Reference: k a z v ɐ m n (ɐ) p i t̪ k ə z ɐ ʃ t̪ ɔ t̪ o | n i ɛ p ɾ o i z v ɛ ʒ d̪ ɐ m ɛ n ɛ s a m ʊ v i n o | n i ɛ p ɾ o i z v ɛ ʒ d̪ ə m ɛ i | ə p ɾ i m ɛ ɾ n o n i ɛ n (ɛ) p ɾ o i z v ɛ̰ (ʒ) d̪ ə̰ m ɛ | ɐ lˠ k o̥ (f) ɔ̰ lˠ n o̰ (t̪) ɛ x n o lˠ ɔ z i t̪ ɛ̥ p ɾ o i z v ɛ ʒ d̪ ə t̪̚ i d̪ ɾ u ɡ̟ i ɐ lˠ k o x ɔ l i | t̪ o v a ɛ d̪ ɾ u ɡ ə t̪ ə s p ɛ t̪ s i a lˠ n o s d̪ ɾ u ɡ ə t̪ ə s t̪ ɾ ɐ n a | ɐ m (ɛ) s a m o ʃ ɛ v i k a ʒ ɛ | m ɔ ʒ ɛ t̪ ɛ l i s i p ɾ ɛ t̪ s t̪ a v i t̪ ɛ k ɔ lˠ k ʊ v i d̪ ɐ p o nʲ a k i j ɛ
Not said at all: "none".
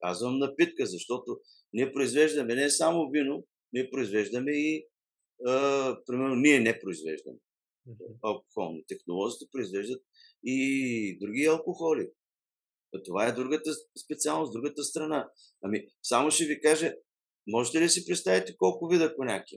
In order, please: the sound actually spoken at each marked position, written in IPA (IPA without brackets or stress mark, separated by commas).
ɐ, ɛ, ʒ, x, t̪, i